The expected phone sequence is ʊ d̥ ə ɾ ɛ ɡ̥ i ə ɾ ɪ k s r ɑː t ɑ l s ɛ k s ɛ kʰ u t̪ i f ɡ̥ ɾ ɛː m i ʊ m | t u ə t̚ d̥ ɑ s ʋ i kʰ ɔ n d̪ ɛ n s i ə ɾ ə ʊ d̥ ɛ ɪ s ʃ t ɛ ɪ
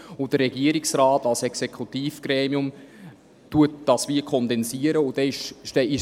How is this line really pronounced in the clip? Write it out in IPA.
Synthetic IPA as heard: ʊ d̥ ə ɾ ɛ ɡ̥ i ə ɾ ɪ k s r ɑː t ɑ l s ɛ k s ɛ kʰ u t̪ iː f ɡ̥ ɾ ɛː m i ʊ m | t u ə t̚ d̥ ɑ s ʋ i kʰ ɔ n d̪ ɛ n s i ə ɾ ə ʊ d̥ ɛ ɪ ʃ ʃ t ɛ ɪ